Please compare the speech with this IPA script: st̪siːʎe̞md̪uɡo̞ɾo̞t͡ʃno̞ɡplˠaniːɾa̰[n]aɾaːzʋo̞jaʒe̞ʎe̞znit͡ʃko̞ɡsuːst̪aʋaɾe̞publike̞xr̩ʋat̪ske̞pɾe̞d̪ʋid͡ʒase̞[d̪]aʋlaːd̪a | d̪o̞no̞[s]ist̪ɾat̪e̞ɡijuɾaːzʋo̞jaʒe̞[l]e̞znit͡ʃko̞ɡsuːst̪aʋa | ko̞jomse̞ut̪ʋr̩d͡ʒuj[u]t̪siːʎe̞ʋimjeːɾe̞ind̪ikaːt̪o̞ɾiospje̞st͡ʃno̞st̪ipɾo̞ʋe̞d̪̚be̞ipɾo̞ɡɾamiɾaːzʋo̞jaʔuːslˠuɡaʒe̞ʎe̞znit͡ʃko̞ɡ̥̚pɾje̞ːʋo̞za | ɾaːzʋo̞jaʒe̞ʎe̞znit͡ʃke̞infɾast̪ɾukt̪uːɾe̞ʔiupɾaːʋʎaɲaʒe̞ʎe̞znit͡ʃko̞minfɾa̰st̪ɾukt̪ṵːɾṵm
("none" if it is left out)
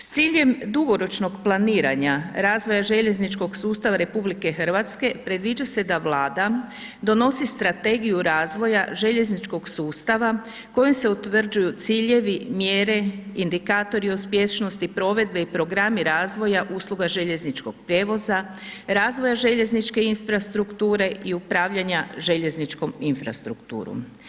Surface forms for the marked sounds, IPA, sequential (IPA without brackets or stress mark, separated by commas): ɲ, d̪, s, ʎ, u